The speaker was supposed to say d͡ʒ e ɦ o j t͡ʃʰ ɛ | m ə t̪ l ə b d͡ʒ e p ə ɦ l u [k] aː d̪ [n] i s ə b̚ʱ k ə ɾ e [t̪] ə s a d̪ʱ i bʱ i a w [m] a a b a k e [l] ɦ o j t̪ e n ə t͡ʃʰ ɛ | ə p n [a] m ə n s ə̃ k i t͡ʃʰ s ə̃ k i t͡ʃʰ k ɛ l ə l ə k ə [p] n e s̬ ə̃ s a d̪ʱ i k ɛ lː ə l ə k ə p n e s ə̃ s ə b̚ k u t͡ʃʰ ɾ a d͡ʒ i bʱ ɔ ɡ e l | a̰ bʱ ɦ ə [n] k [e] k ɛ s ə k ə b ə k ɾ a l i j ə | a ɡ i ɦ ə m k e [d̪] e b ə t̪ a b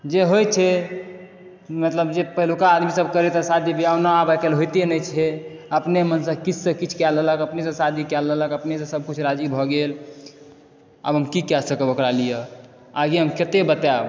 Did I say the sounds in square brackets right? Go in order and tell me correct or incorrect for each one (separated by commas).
correct, incorrect, correct, incorrect, correct, incorrect, correct, incorrect, incorrect, incorrect